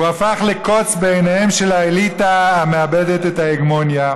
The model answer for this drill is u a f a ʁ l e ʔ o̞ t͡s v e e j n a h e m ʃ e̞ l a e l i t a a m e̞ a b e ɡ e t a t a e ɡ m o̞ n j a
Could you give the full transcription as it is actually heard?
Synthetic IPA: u a f a χ l e k o̞ t͡s b e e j n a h e m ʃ e̞ l a e l i t a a m e̞ a b e d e t e t a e ɡ m o̞ n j a